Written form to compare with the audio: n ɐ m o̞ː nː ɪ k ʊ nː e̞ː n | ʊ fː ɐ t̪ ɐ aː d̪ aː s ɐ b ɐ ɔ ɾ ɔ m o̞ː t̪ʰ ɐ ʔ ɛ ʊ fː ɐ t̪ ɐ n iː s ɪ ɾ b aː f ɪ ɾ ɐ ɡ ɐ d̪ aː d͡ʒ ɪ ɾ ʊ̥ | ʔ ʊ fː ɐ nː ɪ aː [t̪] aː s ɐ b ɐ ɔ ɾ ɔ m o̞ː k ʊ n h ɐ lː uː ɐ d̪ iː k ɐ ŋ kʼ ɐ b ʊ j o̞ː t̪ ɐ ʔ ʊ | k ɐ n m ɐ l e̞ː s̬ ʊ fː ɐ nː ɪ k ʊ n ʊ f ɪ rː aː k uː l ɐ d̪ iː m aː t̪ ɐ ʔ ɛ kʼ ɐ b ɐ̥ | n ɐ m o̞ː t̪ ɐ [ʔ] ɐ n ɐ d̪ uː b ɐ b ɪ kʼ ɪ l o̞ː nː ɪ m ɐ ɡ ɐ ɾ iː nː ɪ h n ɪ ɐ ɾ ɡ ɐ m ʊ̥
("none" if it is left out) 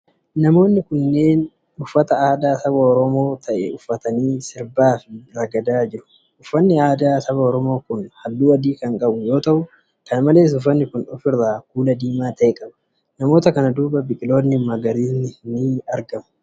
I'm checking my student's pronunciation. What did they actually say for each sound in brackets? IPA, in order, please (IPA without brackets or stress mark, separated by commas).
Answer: d̪, k